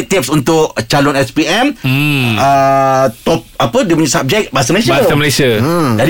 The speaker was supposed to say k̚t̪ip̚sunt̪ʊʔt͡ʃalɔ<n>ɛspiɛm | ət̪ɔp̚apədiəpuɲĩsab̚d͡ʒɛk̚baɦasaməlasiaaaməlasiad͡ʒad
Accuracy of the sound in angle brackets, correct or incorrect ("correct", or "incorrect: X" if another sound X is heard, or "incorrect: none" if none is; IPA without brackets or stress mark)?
correct